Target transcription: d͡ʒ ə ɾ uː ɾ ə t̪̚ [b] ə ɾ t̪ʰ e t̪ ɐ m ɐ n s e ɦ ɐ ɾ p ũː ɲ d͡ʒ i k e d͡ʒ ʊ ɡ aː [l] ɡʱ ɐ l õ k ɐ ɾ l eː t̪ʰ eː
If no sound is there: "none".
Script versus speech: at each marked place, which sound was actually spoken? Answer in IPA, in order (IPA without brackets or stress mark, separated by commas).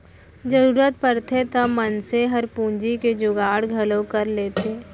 p, ɽ